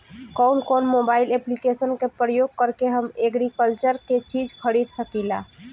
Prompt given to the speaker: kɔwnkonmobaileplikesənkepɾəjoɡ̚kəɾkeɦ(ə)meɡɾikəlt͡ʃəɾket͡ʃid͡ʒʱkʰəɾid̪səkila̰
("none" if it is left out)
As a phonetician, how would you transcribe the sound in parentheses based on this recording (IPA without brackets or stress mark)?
ə